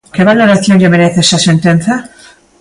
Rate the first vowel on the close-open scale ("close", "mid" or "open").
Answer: mid